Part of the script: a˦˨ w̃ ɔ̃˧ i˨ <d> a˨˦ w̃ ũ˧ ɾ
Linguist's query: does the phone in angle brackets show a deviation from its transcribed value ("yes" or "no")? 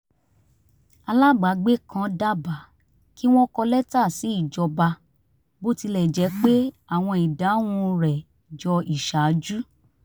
no